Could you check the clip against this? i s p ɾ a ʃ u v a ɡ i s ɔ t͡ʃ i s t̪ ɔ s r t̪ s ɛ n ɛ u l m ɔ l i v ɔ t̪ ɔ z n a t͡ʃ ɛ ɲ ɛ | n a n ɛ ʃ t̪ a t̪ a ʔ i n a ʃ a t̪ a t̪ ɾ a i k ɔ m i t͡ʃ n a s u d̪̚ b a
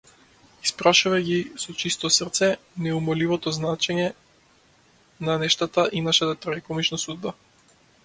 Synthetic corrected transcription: i s p ɾ a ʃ u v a ɡ i s ɔ t͡ʃ i s t̪ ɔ s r t̪ s ɛ n ɛ u m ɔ l i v ɔ t̪ ɔ z n a t͡ʃ ɛ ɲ ɛ | n a n ɛ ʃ t̪ a t̪ a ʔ i n a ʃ a t̪ a t̪ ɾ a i k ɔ m i t͡ʃ n a s u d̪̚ b a